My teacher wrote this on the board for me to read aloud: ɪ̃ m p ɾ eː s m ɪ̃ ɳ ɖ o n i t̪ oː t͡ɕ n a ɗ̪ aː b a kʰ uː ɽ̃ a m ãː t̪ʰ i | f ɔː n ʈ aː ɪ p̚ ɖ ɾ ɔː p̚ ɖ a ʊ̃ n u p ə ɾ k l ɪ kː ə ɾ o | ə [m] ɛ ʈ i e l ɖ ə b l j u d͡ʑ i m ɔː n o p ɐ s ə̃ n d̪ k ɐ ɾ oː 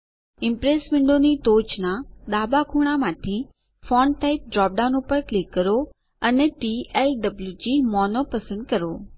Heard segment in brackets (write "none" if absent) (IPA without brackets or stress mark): n